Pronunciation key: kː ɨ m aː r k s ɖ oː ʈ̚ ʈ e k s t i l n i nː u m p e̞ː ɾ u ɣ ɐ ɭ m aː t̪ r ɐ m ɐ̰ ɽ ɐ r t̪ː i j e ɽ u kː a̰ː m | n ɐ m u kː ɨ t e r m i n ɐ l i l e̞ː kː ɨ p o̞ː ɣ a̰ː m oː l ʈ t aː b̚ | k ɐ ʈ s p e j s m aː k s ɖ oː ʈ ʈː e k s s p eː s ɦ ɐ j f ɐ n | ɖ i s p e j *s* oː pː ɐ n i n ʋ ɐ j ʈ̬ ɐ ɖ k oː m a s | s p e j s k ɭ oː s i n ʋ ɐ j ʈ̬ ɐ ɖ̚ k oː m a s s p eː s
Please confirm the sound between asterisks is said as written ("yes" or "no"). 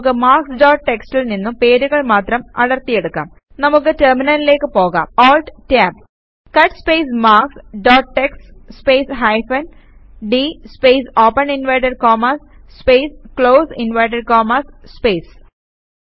yes